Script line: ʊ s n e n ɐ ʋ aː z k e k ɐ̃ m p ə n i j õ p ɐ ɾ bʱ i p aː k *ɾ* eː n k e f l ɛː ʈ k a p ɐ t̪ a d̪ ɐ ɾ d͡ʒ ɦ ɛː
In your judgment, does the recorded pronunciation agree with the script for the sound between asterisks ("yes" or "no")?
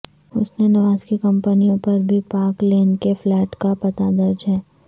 no